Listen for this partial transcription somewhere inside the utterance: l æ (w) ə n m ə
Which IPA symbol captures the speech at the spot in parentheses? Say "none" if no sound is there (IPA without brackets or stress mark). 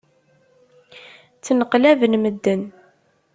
v